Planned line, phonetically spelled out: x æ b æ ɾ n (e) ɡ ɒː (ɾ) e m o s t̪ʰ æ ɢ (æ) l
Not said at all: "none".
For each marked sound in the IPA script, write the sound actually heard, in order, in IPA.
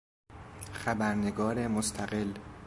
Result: e, ɾ, e

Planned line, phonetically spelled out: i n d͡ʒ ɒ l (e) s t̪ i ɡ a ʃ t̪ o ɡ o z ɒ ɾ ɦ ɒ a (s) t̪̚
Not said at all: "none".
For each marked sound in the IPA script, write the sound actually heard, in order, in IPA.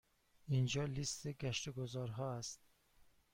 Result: i, s

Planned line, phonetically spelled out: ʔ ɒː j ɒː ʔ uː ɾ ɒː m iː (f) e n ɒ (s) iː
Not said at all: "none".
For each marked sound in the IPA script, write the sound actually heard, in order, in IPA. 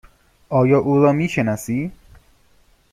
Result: ʃ, s

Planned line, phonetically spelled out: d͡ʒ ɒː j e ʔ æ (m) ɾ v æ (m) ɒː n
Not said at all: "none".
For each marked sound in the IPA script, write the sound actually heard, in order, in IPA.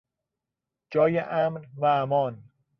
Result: m, m

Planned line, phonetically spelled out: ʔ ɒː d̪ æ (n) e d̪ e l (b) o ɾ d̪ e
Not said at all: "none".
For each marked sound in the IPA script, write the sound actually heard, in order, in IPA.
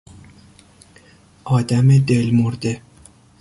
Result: m, m

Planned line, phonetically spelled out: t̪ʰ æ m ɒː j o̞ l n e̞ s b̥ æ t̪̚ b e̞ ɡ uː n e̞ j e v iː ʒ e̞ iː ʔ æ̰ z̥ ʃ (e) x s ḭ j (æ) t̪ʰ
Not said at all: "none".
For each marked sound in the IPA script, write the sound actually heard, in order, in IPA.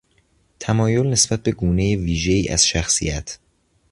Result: æ, æ

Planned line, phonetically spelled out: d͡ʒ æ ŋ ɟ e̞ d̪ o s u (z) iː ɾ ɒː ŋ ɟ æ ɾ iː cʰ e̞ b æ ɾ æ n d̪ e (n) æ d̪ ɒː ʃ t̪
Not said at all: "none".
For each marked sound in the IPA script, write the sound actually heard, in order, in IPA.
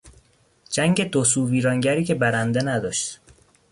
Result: v, n

